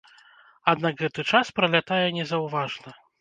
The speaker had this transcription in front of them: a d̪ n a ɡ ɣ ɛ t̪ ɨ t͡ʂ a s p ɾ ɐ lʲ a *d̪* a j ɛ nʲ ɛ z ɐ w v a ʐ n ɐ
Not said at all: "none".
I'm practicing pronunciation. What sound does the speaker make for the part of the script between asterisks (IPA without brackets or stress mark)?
t̪